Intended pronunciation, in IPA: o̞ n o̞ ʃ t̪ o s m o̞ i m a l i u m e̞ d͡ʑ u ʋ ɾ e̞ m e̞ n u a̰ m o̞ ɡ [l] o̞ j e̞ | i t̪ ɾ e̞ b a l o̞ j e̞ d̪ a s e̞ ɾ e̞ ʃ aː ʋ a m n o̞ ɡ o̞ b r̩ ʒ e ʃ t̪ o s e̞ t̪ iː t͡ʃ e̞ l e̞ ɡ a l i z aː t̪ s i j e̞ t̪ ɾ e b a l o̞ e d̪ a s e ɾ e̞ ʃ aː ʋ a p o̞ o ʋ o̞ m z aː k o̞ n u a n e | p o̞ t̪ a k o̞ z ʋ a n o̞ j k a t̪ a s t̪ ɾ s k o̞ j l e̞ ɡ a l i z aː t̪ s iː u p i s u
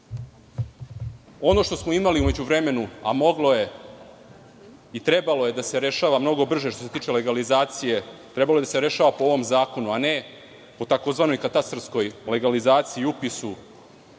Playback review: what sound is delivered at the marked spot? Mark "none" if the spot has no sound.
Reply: l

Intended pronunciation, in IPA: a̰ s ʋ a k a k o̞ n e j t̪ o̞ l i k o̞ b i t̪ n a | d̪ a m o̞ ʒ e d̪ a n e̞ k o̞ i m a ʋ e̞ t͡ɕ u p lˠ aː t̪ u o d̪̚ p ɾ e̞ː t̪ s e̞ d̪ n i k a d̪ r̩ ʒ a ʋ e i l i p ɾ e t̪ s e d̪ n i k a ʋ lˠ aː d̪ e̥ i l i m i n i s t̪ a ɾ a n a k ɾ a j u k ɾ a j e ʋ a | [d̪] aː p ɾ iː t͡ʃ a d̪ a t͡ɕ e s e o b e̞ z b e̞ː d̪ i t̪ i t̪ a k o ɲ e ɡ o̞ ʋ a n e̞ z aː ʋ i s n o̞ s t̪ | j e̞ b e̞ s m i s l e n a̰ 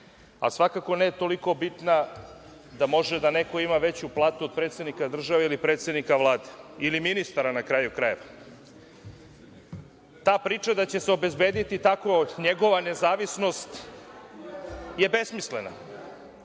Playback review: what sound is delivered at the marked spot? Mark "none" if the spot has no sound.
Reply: t̪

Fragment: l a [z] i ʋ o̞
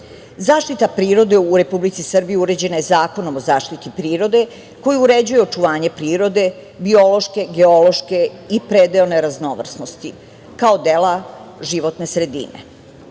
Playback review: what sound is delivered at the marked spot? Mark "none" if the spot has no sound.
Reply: ʒ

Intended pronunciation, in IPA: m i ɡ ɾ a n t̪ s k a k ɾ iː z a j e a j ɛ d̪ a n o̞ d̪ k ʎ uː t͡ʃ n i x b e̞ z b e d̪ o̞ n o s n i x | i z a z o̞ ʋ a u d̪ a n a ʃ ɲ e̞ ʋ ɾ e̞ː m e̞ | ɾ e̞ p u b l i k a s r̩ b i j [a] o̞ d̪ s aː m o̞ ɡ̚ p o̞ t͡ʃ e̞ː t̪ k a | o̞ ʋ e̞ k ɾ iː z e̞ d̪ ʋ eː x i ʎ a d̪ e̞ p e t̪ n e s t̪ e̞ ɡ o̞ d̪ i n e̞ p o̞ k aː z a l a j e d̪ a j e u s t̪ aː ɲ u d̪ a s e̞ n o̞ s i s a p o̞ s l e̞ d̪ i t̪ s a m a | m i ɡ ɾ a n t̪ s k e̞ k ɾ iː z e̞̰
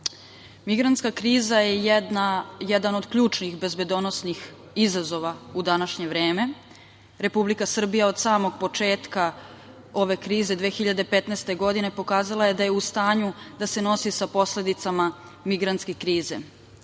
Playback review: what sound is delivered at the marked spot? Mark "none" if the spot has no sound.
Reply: a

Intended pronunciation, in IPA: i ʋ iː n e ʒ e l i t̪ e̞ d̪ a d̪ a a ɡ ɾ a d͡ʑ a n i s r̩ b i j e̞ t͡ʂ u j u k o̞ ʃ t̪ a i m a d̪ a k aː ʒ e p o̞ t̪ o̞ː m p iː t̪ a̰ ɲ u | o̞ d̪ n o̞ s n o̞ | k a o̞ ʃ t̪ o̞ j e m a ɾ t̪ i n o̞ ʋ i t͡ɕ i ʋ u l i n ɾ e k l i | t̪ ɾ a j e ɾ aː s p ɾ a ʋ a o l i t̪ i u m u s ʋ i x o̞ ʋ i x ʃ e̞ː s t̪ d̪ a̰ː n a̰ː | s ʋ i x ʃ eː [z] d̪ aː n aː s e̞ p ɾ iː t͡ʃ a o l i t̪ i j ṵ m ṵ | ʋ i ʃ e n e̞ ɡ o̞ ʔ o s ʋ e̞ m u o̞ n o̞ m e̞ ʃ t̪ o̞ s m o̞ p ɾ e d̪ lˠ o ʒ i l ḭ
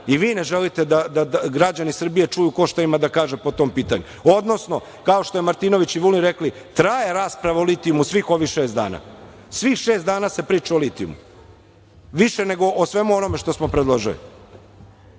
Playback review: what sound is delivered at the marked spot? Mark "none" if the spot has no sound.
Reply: s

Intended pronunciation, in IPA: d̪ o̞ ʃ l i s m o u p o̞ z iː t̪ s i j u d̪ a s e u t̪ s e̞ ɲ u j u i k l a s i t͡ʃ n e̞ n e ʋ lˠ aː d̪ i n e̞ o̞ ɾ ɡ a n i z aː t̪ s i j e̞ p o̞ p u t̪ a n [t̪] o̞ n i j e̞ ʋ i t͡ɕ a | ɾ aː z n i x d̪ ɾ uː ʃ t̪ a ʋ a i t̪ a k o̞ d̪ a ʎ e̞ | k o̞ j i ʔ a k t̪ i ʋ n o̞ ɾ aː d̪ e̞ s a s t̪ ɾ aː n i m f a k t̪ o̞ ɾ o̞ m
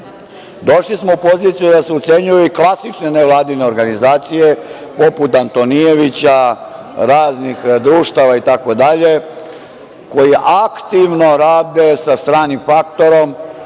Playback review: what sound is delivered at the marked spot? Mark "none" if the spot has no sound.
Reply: t̪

